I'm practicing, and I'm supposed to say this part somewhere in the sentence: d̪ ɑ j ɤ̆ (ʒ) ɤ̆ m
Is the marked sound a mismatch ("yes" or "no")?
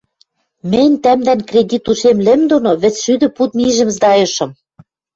yes